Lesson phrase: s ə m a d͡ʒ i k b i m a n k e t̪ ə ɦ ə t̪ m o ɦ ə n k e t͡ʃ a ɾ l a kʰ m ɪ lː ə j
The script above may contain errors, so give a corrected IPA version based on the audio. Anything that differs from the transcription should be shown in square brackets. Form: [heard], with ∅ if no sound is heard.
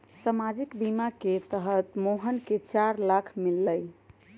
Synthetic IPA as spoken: s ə m a d͡ʒ i k b i m a [∅] k e t̪ ə ɦ ə t̪ m o ɦ ə n k e t͡ʃ a ɾ l a kʰ m [i] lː ə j